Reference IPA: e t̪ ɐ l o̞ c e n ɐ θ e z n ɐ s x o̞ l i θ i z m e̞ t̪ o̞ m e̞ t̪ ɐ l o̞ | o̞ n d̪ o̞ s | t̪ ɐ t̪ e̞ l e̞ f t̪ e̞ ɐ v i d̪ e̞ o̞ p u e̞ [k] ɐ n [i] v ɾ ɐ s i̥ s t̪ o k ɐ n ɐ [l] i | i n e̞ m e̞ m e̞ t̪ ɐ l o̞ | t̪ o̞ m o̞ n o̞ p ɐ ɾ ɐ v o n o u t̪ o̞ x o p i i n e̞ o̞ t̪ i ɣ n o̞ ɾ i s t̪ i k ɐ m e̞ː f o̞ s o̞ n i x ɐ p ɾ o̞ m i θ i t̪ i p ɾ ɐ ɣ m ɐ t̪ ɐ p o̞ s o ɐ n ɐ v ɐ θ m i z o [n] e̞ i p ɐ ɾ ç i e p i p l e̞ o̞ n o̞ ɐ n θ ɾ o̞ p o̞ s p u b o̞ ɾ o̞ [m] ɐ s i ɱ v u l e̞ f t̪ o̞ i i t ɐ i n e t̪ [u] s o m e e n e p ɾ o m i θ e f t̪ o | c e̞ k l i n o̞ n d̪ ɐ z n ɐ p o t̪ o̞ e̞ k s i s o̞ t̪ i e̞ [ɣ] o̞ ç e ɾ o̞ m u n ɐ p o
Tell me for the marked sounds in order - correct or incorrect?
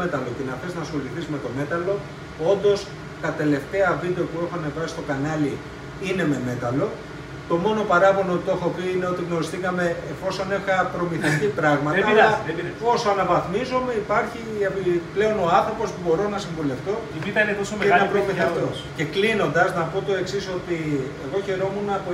incorrect, incorrect, correct, incorrect, incorrect, incorrect, correct

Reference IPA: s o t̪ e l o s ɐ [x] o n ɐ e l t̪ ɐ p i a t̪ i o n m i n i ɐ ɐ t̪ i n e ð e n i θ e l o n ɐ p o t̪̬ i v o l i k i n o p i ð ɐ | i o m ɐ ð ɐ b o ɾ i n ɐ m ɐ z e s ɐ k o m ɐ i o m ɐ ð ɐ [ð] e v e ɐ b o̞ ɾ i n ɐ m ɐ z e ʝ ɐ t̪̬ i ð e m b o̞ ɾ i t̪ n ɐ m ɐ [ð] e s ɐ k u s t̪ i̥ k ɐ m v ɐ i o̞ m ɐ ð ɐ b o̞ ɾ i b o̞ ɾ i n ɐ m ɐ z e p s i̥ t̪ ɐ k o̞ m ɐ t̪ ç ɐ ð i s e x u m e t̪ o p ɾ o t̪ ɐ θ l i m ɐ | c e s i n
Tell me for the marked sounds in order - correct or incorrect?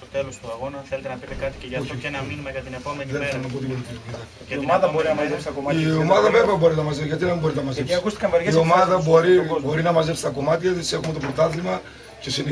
incorrect, incorrect, incorrect

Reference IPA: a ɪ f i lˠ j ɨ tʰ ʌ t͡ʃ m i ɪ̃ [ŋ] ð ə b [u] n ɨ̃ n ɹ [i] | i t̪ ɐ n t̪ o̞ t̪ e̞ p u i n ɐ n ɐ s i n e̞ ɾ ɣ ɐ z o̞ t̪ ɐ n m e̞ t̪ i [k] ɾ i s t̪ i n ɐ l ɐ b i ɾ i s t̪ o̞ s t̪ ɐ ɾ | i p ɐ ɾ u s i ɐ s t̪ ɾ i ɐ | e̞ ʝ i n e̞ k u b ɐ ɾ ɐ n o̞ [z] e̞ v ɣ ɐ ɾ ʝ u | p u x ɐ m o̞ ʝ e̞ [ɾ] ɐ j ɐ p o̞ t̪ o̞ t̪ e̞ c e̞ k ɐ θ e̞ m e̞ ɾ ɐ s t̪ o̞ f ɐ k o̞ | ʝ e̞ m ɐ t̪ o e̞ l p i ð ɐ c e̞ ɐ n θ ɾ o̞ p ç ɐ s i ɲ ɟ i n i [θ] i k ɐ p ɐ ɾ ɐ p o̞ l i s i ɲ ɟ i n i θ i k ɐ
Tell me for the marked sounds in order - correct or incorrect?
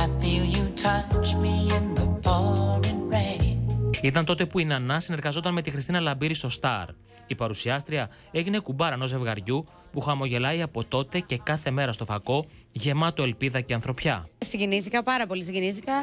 incorrect, incorrect, incorrect, incorrect, correct, incorrect, correct

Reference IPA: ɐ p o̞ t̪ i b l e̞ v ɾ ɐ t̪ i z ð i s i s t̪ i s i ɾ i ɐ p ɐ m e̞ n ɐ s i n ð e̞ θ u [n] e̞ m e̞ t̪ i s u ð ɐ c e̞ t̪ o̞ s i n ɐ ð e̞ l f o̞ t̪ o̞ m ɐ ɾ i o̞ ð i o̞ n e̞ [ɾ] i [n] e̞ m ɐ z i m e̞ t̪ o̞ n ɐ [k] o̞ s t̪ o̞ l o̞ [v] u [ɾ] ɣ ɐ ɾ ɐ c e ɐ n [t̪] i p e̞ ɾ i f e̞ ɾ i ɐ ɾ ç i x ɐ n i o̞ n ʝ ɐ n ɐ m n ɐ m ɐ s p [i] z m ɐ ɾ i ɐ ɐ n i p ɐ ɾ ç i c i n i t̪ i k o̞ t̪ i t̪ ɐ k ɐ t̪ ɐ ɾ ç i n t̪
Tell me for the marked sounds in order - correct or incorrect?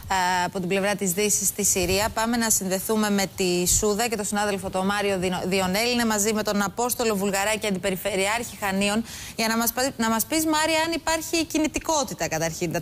incorrect, incorrect, correct, incorrect, correct, incorrect, incorrect, correct

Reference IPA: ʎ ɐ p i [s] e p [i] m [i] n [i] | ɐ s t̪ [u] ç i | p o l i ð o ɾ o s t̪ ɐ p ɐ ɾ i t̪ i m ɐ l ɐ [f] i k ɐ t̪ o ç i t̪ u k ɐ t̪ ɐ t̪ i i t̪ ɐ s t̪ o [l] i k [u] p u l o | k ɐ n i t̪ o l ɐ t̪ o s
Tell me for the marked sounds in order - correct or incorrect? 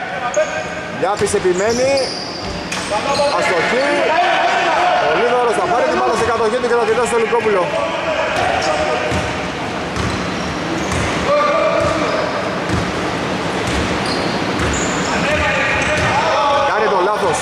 correct, correct, incorrect, correct, incorrect, incorrect, correct, incorrect

